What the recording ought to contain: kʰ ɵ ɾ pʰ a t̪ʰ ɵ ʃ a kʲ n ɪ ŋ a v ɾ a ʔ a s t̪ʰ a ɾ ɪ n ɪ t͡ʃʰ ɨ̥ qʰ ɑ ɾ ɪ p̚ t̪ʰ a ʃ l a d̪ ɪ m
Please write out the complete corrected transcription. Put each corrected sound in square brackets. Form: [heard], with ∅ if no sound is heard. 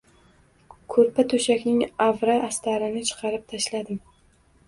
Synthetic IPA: kʰ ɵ ɾ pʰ a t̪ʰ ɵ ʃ a kʲ n ɪ ŋ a v ɾ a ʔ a s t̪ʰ a ɾ ɪ n ɪ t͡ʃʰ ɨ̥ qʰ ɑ ɾ ɪ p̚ t̪ʰ a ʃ l a d̪ ɪ m